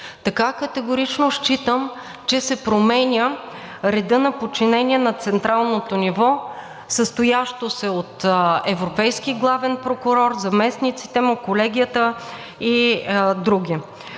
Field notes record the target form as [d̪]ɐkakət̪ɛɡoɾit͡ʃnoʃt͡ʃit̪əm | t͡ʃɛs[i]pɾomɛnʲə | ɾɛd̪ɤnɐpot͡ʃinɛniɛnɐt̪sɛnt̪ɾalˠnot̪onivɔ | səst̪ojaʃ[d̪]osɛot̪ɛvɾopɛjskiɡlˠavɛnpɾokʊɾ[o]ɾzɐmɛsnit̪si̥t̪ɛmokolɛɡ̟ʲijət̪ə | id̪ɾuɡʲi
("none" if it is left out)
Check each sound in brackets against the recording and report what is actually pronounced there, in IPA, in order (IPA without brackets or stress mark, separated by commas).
t̪, ɛ, t̪, ɔ